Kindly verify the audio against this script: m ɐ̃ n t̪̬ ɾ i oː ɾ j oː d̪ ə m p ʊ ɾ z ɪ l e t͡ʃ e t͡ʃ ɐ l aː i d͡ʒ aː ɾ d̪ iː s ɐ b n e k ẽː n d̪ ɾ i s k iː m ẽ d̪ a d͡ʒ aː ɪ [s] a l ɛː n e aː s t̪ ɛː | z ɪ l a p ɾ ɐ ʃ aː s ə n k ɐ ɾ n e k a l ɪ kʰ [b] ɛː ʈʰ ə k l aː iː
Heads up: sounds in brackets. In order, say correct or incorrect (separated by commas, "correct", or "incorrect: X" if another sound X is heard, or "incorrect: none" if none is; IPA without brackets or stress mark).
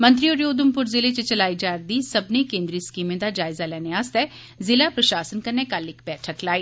incorrect: z, correct